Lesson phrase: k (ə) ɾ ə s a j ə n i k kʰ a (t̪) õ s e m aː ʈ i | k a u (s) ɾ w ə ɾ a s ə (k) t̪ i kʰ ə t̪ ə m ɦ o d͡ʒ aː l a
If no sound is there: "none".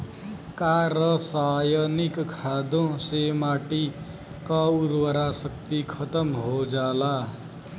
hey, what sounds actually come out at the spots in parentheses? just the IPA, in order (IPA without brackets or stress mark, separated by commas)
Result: a, d̪, none, k